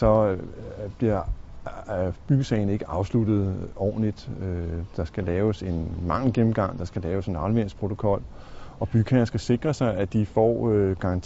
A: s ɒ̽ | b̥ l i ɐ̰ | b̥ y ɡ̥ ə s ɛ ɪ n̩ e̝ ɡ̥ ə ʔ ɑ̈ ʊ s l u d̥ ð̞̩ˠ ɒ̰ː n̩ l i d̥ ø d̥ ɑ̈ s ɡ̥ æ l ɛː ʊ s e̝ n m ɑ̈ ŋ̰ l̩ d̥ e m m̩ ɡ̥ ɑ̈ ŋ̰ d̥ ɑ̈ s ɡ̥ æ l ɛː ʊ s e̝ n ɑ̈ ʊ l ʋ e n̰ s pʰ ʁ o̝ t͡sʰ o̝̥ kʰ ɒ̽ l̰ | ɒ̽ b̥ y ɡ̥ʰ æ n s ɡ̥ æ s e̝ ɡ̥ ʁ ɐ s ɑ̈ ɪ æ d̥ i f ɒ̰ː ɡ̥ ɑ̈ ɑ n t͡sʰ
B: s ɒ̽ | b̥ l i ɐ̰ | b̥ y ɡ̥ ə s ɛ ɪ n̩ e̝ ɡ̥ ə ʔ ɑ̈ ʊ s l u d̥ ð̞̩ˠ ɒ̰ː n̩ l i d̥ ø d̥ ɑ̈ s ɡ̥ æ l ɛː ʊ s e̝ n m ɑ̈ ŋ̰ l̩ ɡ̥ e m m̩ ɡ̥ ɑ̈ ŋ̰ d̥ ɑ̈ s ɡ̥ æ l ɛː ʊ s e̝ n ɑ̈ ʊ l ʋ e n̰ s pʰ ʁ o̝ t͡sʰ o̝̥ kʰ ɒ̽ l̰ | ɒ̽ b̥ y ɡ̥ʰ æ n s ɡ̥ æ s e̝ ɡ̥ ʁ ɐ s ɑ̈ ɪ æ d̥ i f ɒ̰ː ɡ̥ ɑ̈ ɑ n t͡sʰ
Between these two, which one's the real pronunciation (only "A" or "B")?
B